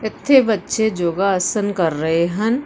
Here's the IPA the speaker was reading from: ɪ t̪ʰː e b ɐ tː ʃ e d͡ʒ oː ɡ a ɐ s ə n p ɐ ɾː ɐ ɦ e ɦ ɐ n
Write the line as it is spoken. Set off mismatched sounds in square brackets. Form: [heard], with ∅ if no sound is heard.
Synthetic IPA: ɪ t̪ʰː e b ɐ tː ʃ e d͡ʒ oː ɡ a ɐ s ə n [k] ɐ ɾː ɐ ɦ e ɦ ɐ n